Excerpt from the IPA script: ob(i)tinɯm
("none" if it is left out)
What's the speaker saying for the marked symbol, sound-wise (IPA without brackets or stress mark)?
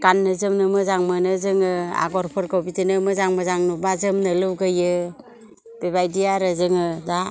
i